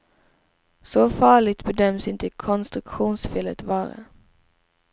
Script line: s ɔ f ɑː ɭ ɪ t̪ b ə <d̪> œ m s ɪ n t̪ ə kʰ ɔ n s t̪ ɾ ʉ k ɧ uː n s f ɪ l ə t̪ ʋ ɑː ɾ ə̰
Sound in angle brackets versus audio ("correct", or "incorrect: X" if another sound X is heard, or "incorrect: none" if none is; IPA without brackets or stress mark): correct